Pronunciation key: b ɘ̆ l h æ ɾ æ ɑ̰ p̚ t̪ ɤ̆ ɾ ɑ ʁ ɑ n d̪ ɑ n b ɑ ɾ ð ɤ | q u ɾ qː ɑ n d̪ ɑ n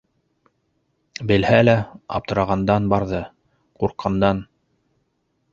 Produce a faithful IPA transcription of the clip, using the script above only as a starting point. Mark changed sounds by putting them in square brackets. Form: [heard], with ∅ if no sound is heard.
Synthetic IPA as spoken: b ɘ̆ l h æ [l] æ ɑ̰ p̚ t̪ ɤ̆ ɾ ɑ ʁ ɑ n d̪ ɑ n b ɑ ɾ ð ɤ | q u ɾ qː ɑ n d̪ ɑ n